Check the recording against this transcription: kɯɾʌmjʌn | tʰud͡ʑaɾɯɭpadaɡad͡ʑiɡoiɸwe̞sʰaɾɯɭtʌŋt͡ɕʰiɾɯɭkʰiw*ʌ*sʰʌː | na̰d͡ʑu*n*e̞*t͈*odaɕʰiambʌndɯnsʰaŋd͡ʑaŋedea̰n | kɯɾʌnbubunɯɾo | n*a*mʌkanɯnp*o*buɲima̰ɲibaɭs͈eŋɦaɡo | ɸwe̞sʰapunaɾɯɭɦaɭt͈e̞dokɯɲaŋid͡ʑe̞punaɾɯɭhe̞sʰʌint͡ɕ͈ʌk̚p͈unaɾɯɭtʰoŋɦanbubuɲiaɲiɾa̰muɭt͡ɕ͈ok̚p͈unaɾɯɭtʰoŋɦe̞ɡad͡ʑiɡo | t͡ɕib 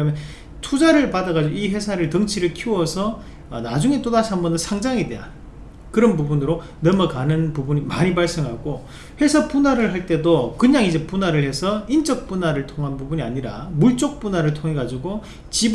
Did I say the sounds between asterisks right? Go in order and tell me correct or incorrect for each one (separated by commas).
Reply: correct, incorrect, correct, incorrect, incorrect